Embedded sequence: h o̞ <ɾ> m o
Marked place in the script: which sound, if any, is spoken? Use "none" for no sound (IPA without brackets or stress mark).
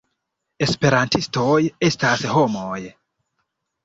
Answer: none